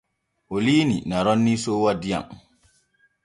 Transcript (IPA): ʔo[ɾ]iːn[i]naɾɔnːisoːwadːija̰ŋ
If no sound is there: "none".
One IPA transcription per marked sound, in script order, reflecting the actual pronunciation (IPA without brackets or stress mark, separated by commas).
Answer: l, i